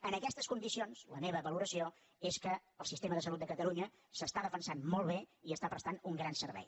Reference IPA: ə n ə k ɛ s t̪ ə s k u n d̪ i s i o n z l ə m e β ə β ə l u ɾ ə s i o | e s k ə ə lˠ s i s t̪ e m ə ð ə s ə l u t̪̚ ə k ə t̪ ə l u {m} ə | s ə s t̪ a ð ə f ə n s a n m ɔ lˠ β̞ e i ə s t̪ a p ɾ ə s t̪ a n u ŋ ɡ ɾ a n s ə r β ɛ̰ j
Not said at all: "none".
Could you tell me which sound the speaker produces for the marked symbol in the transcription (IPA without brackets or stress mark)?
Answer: ɲ